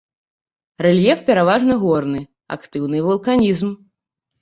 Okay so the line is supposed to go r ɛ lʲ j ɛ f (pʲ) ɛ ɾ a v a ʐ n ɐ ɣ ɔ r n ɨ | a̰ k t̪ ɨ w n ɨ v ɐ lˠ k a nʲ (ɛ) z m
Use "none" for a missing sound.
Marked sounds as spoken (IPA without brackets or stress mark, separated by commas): pʲ, i